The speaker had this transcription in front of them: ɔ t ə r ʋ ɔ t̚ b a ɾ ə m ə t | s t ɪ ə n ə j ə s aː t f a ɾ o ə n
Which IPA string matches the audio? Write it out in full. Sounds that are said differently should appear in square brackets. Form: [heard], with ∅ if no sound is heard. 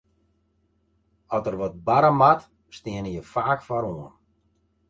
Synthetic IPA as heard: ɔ t ə r ʋ ɔ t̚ b a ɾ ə m [a] t | s t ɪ ə n ə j ə [f] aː [k] f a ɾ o ə n